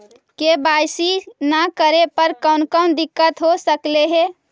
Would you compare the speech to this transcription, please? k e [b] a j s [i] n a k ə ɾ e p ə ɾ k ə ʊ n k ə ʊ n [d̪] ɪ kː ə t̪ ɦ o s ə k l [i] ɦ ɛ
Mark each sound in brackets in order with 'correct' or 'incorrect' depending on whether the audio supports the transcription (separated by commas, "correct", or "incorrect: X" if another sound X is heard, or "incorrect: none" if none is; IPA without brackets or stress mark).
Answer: correct, correct, correct, incorrect: e